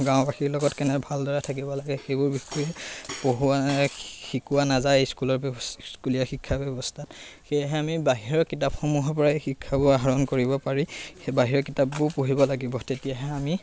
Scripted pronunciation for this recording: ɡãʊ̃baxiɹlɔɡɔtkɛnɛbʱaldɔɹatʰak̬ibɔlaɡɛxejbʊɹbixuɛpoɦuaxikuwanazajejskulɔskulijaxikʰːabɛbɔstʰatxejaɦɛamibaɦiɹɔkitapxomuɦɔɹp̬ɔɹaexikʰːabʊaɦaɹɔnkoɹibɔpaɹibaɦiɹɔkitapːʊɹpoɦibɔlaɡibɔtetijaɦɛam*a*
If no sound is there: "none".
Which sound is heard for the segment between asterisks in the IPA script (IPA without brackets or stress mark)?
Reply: i